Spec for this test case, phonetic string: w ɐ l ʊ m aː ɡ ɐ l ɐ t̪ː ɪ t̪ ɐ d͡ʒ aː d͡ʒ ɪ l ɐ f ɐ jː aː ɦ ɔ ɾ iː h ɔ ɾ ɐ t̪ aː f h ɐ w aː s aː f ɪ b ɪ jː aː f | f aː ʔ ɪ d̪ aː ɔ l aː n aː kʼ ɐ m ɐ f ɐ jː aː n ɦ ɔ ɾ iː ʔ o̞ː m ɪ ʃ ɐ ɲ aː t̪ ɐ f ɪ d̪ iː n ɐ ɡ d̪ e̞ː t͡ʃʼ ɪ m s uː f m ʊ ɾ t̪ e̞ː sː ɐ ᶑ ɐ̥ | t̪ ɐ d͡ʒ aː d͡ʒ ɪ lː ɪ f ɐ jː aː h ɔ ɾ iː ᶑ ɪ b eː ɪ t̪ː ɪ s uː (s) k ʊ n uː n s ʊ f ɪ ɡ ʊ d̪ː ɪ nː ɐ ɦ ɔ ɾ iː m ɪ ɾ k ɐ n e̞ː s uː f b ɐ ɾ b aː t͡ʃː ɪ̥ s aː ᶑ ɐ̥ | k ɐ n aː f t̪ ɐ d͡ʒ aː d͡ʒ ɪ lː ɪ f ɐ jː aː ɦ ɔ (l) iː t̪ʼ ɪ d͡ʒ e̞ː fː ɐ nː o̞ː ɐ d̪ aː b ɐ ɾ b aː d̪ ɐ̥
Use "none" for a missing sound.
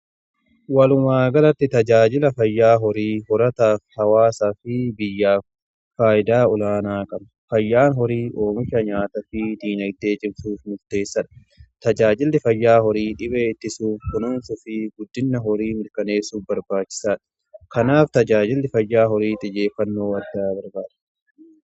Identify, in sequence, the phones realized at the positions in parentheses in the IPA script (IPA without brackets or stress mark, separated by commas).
f, ɾ